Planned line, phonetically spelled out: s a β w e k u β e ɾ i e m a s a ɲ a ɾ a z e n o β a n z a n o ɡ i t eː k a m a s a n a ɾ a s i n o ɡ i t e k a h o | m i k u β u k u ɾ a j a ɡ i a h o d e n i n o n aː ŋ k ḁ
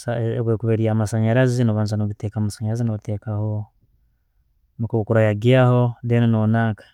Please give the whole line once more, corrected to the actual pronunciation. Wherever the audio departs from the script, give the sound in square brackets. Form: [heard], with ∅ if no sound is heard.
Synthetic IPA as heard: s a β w e k u β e ɾ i [a] m a s a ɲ a ɾ a z [i] n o β a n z a n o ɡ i t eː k a m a s a [ɲ] a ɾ a [z] i n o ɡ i t e k a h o | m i k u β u k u ɾ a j a ɡ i a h o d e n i n o n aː ŋ k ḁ